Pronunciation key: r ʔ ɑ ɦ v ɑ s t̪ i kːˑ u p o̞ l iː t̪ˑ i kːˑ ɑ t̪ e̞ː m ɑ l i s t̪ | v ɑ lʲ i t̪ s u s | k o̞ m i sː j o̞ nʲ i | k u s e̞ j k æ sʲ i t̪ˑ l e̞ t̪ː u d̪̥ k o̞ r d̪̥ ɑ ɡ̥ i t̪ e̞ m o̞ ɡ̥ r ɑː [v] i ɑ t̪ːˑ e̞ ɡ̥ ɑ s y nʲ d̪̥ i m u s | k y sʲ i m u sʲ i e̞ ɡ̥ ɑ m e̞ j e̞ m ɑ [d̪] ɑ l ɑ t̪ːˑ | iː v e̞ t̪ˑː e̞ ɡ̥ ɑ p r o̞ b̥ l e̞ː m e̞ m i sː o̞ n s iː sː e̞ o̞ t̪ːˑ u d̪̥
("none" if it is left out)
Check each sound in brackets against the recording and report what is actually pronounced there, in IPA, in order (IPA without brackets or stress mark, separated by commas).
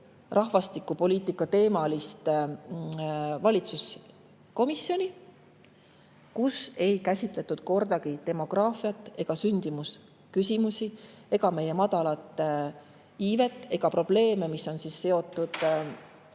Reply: f, d̪